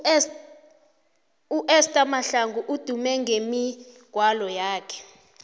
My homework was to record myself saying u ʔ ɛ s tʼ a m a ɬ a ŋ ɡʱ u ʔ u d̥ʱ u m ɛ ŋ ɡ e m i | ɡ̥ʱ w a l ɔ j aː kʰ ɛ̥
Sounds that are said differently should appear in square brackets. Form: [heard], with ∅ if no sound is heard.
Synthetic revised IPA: u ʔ ɛ s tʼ a m a ɬ a ŋ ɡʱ u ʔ u d̥ʱ u m ɛ ŋ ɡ e m i | ɡ̥ʱ w a l ɔ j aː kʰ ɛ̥